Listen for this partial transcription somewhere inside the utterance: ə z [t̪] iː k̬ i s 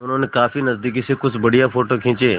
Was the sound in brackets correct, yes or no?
no